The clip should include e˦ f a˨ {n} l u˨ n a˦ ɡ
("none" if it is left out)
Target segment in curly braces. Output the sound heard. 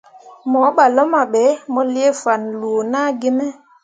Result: n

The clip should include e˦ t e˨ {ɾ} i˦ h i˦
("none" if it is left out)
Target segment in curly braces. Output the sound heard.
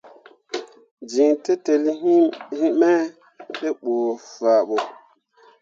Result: l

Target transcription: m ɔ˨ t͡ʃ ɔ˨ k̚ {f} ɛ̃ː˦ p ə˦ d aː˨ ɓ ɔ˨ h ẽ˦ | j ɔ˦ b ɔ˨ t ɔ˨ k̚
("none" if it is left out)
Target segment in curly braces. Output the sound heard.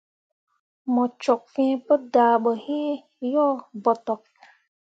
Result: f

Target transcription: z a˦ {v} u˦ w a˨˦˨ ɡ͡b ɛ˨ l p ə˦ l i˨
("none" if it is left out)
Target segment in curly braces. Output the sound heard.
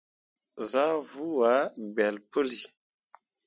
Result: v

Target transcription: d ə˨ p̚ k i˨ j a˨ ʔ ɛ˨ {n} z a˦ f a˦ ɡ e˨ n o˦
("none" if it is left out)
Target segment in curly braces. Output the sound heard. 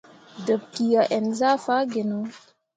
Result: n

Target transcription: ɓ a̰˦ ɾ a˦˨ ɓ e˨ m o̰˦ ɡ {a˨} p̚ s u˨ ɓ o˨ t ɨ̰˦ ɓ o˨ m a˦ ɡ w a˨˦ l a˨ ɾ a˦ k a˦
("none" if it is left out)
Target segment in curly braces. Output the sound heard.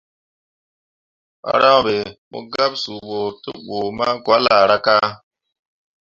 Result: a˦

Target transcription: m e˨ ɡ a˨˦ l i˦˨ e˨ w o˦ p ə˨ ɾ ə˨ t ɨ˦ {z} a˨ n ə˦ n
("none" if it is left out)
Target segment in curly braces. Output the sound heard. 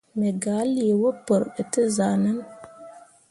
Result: z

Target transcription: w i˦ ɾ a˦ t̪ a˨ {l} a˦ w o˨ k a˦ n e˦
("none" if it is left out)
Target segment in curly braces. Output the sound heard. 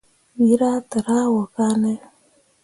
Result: ɾ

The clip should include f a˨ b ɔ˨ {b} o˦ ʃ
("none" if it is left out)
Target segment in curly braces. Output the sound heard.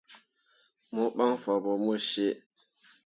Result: m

